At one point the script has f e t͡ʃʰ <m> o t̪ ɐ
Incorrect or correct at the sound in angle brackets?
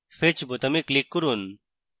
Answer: incorrect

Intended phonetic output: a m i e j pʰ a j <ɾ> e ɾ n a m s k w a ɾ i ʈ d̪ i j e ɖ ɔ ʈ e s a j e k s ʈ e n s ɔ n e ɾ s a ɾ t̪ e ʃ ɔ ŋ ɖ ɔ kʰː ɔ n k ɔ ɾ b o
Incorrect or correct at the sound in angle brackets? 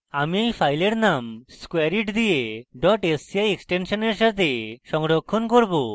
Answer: incorrect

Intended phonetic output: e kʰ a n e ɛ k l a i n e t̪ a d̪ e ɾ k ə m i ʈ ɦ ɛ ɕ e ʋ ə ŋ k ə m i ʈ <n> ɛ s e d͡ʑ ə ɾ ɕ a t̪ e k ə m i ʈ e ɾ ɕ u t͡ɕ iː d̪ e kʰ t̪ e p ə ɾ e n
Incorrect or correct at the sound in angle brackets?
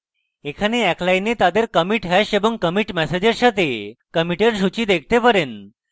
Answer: incorrect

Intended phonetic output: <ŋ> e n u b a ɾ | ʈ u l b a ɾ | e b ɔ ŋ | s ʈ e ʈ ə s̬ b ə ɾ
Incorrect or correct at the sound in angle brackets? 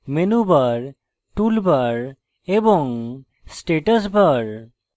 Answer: incorrect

